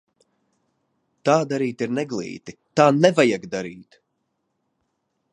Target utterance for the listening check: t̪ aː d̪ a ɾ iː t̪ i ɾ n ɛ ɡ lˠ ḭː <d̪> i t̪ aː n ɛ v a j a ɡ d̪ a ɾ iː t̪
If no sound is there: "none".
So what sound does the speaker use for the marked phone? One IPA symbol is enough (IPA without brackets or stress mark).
t̪